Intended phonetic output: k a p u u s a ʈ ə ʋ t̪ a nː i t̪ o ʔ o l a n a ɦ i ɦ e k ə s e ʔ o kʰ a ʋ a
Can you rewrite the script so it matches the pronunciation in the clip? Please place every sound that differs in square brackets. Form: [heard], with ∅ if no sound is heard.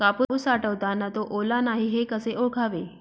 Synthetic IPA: k a p u u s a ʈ ə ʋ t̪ a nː [a] t̪ o ʔ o l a n a ɦ i ɦ e k ə s e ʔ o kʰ a ʋ [e]

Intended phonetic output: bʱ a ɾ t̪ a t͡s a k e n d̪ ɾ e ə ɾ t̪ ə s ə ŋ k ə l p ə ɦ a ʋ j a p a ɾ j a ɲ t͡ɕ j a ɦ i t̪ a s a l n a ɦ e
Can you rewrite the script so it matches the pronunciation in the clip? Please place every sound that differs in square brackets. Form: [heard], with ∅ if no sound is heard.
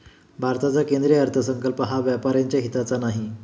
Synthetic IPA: bʱ a ɾ t̪ a t͡s a k e n d̪ ɾ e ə ɾ [t̪ʰ] ə s ə ŋ k ə l p ə ɦ a ʋ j a p a ɾ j a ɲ t͡ɕ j a ɦ i t̪ a [t͡s] a [∅] n a ɦ [i]

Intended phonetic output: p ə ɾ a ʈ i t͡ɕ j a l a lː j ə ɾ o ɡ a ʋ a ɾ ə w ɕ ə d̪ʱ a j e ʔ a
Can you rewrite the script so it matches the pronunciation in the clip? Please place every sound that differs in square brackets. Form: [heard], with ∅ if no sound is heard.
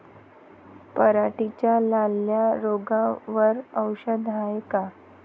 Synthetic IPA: p ə ɾ a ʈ i t͡ɕ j a l a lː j [a] ɾ o ɡ a ʋ [ə] ɾ ə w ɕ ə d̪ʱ a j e [k] a

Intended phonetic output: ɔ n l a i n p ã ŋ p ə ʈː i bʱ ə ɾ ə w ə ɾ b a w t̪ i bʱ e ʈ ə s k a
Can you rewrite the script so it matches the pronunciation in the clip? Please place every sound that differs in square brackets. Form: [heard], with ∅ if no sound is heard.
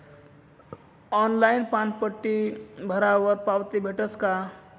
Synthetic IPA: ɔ n l a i n p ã [n] p ə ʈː i bʱ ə ɾ [a] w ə ɾ [p] a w t̪ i bʱ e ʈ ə s k a

